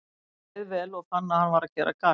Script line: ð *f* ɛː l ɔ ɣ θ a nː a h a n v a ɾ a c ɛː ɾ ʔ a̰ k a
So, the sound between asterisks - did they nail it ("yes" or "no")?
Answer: no